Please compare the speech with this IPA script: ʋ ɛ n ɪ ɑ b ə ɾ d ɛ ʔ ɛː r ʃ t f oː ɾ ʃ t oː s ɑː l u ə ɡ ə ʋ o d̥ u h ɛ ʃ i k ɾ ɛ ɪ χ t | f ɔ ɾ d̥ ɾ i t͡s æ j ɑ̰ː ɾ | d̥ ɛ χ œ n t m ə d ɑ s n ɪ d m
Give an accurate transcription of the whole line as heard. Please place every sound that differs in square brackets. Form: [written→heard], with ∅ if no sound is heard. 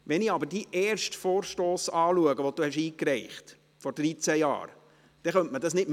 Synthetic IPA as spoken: ʋ ɛ n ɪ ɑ b ə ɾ d [ɛ→i] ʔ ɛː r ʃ t f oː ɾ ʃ t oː s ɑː l u ə ɡ ə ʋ o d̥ u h ɛ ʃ [i→iː] k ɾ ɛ ɪ χ t | f ɔ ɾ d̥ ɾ i t͡s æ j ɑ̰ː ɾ | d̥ ɛ χ œ n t m ə d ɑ s n ɪ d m